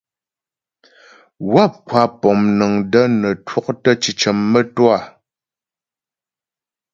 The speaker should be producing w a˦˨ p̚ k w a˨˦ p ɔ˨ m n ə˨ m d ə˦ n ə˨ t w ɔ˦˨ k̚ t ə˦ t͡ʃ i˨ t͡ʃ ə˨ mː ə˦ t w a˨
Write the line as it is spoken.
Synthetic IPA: w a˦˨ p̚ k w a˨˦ p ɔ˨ m n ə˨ ŋ d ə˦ n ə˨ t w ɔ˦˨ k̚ t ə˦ t͡ʃ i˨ t͡ʃ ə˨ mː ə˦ t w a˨